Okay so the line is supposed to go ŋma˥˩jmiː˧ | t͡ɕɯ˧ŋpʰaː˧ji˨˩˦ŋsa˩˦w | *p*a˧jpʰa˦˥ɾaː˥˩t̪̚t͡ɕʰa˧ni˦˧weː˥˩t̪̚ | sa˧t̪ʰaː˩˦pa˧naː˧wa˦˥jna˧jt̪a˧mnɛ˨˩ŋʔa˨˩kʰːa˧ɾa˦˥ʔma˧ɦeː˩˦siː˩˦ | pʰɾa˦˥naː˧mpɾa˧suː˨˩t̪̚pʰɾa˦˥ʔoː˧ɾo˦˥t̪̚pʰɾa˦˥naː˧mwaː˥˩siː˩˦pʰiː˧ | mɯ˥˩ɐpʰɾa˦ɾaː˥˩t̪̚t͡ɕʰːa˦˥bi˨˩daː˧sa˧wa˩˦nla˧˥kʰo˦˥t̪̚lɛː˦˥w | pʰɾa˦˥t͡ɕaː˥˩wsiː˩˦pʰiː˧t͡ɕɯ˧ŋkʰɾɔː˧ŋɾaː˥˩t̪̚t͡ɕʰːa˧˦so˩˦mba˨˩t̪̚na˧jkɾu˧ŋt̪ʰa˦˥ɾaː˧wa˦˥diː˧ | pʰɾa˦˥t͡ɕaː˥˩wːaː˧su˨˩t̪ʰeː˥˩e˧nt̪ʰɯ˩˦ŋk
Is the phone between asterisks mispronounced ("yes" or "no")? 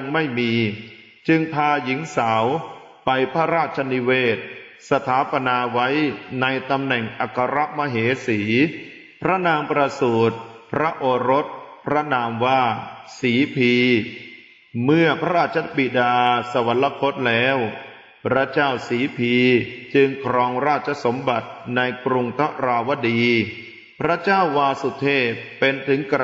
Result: no